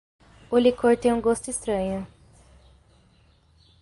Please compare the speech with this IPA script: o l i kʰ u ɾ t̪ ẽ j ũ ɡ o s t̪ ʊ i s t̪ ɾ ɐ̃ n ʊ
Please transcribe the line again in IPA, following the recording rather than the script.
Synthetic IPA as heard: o l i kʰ o ɾ t̪ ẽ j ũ ɡ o s t̪ ʊ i s t̪ ɾ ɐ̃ ɲ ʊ